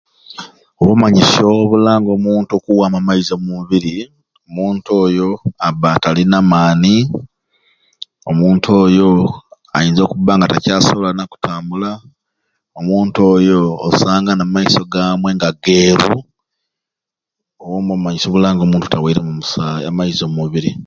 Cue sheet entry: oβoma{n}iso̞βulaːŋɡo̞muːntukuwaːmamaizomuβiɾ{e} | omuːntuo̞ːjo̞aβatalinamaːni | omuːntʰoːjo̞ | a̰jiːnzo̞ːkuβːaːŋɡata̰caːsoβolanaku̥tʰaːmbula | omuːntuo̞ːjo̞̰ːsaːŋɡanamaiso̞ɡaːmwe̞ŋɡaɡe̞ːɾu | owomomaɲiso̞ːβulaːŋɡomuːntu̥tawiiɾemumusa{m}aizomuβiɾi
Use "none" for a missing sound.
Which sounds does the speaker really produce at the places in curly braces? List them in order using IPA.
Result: ɲ, i, m

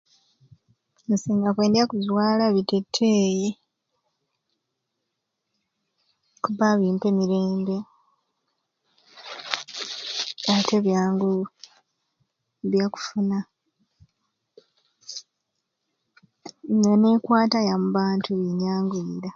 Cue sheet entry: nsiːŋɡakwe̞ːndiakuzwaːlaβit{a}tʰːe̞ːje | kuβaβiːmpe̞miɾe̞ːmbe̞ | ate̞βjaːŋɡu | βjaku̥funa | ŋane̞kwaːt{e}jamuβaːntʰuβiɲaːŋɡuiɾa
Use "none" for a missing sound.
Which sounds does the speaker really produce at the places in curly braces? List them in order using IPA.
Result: e, a

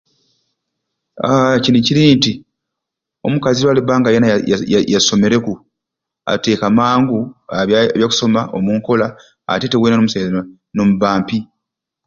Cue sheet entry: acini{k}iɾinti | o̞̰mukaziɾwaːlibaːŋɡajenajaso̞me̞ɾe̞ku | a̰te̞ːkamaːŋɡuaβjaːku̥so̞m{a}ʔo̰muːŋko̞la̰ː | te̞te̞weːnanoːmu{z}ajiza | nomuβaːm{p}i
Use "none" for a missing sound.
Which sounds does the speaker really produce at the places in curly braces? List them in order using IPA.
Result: c, a, s, p

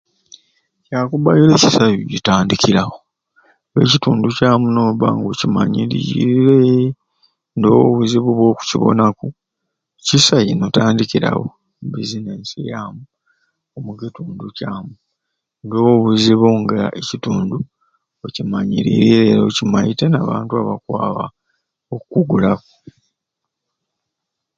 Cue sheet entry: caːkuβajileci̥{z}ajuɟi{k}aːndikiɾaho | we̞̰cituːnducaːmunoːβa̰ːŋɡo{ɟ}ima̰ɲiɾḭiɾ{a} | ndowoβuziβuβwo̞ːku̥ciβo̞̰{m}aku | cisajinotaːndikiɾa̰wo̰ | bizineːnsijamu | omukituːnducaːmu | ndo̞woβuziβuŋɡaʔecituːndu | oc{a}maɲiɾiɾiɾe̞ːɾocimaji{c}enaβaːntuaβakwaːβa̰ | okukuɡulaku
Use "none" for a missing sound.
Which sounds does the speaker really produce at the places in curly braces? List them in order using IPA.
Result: s, t, c, e, n, i, t

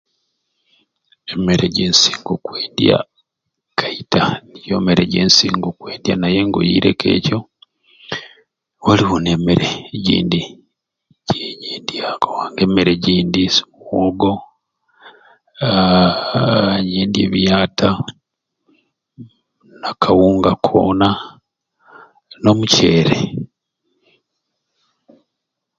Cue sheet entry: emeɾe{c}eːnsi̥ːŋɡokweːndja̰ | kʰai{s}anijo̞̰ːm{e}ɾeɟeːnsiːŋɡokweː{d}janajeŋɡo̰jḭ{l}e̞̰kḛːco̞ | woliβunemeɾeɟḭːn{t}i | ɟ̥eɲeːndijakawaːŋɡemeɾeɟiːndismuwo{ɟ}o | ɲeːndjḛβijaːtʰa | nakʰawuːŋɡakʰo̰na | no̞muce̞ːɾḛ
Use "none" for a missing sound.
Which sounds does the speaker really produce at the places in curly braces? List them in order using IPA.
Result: ɟ, t, e, d, ɾ, d, ɡ

